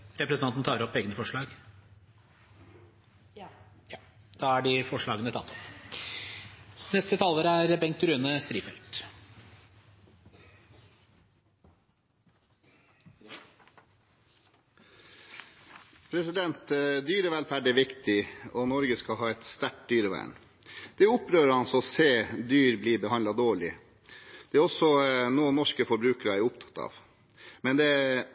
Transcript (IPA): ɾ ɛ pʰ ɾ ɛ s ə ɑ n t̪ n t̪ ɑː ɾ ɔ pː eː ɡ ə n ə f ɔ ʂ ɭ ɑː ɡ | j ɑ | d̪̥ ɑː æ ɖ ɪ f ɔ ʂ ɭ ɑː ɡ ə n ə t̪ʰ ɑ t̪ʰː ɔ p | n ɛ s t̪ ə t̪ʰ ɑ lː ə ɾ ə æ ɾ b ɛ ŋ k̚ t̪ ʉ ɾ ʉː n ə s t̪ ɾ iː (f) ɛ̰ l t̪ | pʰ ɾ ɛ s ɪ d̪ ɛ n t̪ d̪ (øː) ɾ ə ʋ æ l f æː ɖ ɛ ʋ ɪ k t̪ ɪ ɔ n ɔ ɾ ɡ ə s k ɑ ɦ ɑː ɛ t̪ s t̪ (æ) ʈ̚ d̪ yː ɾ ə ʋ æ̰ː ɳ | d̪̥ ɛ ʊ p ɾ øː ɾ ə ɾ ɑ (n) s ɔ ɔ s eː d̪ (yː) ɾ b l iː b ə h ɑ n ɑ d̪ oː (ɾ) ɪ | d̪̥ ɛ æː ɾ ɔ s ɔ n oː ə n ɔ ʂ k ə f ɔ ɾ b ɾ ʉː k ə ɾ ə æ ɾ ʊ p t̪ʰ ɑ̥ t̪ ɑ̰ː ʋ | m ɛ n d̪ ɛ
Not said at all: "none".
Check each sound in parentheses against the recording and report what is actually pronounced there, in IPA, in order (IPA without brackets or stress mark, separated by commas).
f, yː, æ, n, yː, ɭ